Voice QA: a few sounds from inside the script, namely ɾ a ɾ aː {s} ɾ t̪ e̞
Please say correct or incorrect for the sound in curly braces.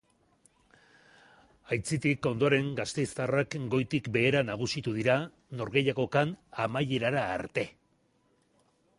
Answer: incorrect